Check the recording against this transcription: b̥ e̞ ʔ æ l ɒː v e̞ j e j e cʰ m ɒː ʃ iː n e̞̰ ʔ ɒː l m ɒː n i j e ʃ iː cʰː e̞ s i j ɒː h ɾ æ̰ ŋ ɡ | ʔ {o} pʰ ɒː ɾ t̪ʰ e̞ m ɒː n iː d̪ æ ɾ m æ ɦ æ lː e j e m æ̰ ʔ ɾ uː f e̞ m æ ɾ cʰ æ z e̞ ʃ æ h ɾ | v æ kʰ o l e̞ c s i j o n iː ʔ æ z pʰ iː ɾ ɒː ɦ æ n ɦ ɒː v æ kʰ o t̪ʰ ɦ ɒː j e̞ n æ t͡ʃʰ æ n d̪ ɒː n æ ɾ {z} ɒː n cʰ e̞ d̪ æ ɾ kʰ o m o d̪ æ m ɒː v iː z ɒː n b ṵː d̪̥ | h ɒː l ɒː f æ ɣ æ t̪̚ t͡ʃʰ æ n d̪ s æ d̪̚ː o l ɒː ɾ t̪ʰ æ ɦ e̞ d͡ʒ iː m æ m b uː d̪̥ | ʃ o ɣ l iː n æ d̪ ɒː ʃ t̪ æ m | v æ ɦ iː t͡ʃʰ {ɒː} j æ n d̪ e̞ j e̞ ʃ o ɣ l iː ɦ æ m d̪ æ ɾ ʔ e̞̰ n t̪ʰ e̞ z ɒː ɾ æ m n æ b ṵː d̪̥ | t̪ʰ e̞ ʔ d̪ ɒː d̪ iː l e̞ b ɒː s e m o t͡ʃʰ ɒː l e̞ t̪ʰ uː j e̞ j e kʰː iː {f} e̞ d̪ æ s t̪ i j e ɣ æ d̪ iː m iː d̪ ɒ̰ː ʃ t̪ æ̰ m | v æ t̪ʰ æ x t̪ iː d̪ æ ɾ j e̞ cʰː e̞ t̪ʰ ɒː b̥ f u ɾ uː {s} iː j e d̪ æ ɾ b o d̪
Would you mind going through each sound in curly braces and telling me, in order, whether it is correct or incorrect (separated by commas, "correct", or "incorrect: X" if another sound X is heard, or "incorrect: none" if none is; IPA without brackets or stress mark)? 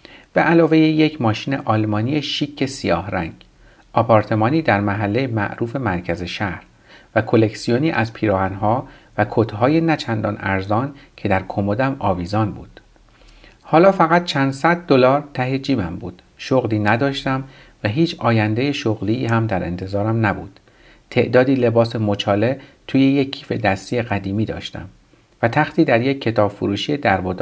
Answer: incorrect: ɒ, correct, correct, correct, incorrect: ʃ